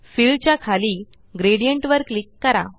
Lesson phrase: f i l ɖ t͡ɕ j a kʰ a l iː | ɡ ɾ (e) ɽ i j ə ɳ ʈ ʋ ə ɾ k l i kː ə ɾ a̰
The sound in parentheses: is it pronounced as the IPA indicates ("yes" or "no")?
yes